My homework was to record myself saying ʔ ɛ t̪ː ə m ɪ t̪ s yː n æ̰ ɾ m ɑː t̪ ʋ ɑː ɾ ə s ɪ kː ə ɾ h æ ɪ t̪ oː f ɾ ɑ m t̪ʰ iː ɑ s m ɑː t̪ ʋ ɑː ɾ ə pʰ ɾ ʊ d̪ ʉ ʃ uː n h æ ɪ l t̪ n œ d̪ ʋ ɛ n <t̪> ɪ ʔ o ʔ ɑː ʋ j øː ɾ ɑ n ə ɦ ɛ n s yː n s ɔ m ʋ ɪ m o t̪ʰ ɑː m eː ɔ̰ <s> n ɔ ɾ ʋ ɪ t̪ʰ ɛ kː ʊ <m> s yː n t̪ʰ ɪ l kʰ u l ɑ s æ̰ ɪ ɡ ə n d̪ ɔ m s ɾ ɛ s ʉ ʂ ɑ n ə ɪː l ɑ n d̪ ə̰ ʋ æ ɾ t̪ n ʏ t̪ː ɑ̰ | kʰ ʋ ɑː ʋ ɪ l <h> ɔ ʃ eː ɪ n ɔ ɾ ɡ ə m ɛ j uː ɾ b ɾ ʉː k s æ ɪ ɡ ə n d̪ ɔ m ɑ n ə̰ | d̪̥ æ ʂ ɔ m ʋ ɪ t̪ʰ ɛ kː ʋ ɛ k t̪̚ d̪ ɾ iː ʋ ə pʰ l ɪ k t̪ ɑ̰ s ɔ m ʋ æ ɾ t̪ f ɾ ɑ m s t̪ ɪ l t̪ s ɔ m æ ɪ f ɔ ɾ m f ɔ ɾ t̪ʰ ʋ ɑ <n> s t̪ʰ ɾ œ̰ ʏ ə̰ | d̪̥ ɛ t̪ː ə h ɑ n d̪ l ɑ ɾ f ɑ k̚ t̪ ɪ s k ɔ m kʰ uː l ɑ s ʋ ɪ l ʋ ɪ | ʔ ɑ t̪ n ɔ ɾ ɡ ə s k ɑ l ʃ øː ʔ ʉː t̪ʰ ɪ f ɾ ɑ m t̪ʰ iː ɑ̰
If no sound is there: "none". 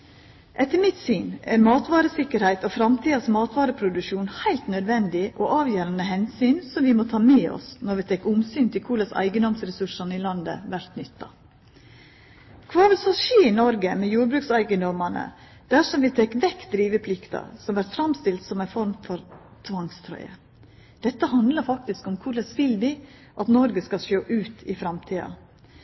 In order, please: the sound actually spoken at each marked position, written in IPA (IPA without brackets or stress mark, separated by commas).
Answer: d̪, s, m, s, ŋ